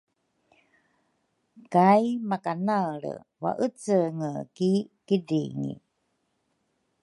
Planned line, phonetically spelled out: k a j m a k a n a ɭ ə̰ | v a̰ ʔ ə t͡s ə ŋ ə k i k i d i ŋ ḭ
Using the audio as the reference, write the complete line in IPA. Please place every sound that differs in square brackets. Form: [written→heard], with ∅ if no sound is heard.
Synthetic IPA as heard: k a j m a k a n a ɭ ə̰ | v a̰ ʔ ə t͡s ə ŋ ə k i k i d i ŋ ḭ

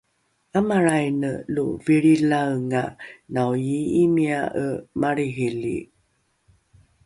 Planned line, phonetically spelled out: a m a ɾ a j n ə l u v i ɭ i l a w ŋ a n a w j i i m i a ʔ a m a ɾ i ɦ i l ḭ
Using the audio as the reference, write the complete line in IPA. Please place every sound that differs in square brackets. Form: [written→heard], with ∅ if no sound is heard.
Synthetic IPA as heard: a m a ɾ a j n ə l u v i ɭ i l a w ŋ a n a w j i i m i a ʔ [a→ə] m a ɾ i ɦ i l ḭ

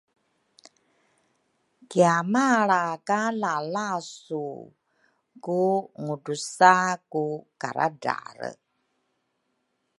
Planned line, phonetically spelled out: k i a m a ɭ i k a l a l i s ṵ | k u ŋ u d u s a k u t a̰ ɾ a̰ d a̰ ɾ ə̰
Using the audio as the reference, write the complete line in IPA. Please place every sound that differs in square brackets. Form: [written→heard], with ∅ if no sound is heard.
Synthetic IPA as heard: k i a m a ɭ [i→a] k a l a l [i→a] s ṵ | k u ŋ u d u s a k u [t→k] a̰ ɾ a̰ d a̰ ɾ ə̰

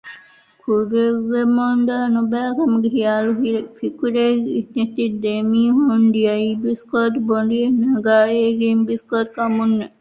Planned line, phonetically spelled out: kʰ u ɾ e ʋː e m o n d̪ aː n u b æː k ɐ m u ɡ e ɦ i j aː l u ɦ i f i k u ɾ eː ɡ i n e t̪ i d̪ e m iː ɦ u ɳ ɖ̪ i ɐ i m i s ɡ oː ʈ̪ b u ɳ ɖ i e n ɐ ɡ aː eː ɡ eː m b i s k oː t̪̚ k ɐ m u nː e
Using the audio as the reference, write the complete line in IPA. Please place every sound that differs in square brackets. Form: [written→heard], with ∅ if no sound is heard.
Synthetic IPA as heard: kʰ u ɾ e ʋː e m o n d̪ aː n u b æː k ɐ m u ɡ e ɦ i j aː l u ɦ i f i k u ɾ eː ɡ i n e t̪ i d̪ e m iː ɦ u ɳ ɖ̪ i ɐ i [m→b] i s [ɡ→k] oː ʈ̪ b [u→o] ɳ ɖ i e n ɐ ɡ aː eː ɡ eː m b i s k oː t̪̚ k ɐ m u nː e

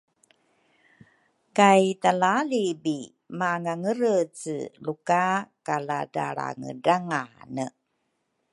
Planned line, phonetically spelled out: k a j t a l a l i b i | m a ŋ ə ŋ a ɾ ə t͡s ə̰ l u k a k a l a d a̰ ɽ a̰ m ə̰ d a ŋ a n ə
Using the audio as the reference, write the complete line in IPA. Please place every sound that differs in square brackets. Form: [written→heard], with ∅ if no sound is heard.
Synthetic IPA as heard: k a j t a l a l i b i | m a ŋ [ə→a] ŋ [a→ə] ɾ ə t͡s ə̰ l u k a k a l a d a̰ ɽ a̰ [m→ŋ] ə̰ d a ŋ a n ə

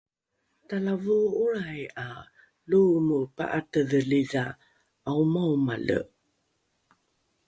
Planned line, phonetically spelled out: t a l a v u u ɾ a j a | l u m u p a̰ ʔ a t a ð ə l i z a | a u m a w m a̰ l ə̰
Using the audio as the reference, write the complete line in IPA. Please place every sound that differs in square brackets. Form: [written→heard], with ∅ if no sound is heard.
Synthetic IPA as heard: t a l a v u u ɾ a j a | l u m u p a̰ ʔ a t [a→ə] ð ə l i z a | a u m a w m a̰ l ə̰

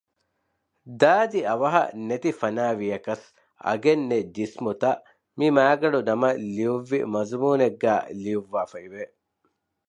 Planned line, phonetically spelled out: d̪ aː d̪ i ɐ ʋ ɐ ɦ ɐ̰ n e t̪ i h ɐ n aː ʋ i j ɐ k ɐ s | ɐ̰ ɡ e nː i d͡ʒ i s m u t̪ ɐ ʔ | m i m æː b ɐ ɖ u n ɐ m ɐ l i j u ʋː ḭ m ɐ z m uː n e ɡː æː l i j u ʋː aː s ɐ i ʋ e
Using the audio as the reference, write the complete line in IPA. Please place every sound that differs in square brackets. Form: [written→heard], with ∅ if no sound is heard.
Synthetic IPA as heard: d̪ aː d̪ i ɐ ʋ ɐ ɦ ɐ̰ n e t̪ i [h→f] ɐ n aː ʋ i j ɐ k ɐ s | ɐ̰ ɡ e nː [i→e] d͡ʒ i s m u t̪ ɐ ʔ | m i m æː [b→ɡ] ɐ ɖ u n ɐ m ɐ l i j u ʋː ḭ m ɐ z m uː n e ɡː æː l i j u ʋː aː [s→f] ɐ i ʋ e

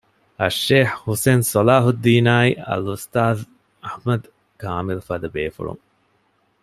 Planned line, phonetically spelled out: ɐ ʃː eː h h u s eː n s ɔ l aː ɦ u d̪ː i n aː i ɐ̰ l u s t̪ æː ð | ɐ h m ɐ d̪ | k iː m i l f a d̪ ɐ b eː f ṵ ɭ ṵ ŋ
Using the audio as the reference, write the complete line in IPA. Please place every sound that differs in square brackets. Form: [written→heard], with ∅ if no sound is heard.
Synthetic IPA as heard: ɐ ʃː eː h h u s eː n s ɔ l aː ɦ u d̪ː [i→iː] n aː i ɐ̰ l u s t̪ [æː→aː] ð | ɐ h m ɐ d̪ | k [iː→aː] m i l f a d̪ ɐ b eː f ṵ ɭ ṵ ŋ

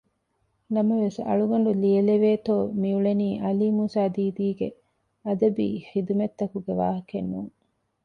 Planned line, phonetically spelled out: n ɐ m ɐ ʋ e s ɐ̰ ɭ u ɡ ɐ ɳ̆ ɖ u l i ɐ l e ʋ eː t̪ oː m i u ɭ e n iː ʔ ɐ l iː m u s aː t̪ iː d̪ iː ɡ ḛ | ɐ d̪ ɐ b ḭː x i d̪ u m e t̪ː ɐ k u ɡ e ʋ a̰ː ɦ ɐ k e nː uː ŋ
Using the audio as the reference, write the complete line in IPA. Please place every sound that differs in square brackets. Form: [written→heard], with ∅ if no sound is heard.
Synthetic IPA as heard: n ɐ m ɐ ʋ e s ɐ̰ ɭ u ɡ ɐ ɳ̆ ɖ u l i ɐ l e ʋ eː t̪ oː m i u ɭ e n iː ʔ ɐ l iː m u s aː [t̪→d̪] iː d̪ iː ɡ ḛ | ɐ d̪ ɐ b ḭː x i d̪ u m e t̪ː ɐ k u ɡ e ʋ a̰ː ɦ ɐ k e nː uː ŋ

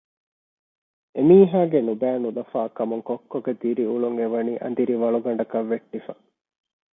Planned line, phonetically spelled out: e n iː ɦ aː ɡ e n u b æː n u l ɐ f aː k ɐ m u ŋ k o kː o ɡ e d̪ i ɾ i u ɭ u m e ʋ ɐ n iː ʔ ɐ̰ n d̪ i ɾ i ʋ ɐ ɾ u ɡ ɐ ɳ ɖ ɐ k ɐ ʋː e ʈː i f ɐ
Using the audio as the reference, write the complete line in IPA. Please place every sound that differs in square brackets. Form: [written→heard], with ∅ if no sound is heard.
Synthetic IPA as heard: e [n→m] iː ɦ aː ɡ e n u b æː n u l ɐ f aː k ɐ m u ŋ k o kː o ɡ e d̪ i ɾ i u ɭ u [m→ŋ] e ʋ ɐ n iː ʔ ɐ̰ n d̪ i ɾ i ʋ ɐ [ɾ→ɭ] u ɡ ɐ ɳ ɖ ɐ k ɐ ʋː e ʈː i f ɐ

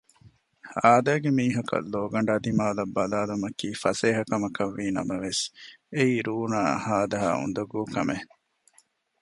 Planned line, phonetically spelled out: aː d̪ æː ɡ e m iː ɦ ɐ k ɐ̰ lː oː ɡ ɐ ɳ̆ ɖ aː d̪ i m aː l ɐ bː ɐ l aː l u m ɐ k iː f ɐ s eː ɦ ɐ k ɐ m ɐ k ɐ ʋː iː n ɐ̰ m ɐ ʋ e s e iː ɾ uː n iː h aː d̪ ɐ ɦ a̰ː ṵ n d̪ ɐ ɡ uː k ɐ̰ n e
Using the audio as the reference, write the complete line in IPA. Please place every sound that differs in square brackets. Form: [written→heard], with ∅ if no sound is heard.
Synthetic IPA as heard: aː d̪ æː ɡ e m iː ɦ ɐ k ɐ̰ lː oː ɡ ɐ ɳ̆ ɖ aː d̪ i m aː l ɐ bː ɐ l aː l u m ɐ k iː f ɐ s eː ɦ ɐ k ɐ m ɐ k ɐ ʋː iː n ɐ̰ m ɐ ʋ e s e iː ɾ uː n [iː→aː] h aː d̪ ɐ ɦ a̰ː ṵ n d̪ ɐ ɡ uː k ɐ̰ [n→m] e

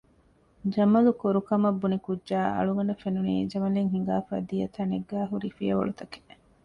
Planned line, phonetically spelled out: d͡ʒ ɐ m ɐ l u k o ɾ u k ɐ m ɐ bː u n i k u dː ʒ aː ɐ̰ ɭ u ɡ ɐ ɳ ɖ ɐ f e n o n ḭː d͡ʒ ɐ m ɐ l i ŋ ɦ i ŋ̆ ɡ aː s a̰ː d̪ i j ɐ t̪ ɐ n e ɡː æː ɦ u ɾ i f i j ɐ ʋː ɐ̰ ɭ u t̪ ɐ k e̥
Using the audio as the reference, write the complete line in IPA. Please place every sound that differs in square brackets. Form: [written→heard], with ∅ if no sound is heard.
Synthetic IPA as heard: d͡ʒ ɐ m ɐ l u k o ɾ u k ɐ m ɐ bː u n i k u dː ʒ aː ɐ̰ ɭ u ɡ ɐ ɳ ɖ ɐ f e n [o→u] n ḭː d͡ʒ ɐ m ɐ l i ŋ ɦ i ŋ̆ ɡ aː [s→f] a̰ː d̪ i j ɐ t̪ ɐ n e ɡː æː ɦ u ɾ i f i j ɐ [ʋː→ʋ] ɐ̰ ɭ u t̪ ɐ k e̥

